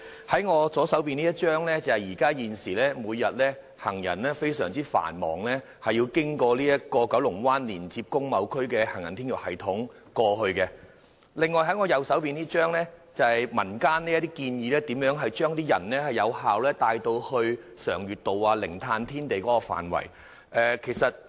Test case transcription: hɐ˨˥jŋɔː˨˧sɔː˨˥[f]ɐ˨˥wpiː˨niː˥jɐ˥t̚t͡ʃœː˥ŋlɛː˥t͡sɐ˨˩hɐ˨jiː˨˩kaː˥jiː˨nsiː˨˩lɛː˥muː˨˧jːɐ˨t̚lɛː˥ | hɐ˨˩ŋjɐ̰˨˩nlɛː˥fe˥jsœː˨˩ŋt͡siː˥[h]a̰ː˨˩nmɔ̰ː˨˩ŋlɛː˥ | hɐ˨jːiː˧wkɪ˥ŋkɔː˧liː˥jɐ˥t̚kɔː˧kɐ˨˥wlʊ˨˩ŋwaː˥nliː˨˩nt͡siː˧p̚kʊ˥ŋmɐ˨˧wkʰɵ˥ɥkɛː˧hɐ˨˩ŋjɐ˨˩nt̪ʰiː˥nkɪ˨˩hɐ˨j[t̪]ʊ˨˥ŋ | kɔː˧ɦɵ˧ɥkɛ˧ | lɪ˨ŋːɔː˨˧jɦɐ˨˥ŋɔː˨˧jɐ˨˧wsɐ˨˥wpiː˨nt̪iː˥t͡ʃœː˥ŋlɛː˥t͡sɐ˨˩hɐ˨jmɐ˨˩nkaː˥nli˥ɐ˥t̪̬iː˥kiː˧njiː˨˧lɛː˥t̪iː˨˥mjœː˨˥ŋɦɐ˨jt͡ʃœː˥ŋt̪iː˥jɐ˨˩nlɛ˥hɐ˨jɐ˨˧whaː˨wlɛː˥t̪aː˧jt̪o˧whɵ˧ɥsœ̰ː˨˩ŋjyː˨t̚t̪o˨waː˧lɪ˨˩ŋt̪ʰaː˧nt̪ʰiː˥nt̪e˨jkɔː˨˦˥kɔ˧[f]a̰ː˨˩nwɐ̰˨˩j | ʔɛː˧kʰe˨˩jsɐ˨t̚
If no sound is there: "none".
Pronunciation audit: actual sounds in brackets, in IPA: s, f, t̪ʰ, f

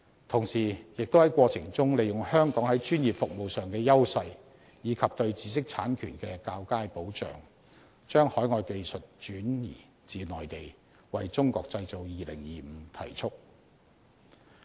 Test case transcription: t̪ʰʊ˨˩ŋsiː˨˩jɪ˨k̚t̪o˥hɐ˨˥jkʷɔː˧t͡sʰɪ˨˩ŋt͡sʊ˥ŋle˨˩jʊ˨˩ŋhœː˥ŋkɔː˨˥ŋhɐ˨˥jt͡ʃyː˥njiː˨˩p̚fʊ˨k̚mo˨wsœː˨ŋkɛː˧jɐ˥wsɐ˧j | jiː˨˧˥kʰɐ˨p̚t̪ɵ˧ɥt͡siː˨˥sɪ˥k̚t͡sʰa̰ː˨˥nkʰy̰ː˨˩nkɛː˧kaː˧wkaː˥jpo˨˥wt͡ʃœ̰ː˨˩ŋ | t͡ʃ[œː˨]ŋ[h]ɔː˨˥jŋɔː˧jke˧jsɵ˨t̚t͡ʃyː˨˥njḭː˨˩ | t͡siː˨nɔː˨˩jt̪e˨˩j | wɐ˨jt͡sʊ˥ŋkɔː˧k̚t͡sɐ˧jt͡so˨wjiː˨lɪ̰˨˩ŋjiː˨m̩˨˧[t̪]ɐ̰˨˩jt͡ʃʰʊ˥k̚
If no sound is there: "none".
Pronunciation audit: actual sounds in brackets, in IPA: œː˥, h, t̪ʰ

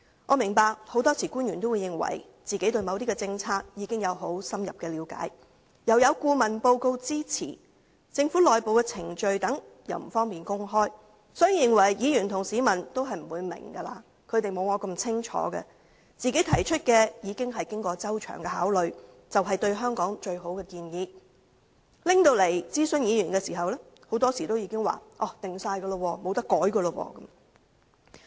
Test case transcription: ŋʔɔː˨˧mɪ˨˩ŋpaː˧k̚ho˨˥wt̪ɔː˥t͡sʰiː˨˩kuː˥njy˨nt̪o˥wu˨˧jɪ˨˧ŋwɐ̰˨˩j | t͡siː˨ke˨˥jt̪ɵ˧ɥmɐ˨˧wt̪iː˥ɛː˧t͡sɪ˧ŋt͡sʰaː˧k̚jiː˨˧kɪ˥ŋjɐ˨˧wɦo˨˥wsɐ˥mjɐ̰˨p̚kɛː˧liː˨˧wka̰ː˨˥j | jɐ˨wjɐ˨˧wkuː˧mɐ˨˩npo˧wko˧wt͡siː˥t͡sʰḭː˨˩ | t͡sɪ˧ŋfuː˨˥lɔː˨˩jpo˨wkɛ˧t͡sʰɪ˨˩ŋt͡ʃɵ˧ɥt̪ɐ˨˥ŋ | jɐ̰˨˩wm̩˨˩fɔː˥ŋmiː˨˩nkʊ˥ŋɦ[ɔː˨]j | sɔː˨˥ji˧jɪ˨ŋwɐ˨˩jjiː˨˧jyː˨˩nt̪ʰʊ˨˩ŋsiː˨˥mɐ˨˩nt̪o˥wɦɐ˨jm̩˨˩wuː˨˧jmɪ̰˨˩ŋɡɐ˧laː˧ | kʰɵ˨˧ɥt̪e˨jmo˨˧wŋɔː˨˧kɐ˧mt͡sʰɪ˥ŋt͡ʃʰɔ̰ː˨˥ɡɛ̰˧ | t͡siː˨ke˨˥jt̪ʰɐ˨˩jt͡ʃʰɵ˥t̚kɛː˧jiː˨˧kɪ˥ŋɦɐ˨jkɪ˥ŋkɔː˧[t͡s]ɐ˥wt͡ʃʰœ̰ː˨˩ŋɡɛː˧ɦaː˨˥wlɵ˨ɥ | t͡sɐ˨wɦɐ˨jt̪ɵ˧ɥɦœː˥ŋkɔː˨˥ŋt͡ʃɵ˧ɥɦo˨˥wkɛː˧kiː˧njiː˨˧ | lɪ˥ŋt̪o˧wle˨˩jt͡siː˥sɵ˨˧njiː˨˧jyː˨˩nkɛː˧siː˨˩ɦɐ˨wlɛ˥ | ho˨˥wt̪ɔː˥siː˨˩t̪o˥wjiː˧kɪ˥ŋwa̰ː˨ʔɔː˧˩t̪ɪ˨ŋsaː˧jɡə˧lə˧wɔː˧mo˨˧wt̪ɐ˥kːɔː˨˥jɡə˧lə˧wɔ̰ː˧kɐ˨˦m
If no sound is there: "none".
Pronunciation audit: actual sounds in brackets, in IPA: ɔː˥, t͡s

